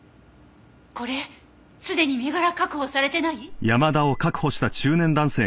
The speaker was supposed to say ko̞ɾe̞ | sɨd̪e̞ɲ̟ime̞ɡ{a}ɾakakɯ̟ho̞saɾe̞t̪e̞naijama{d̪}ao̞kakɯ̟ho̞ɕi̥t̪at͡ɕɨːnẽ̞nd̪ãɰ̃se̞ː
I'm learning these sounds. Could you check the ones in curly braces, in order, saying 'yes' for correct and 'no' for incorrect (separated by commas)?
yes, yes